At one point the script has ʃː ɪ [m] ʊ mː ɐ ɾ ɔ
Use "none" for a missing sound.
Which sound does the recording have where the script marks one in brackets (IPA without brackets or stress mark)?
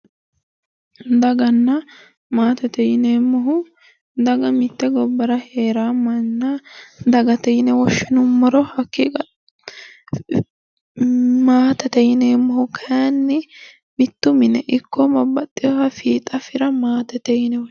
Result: n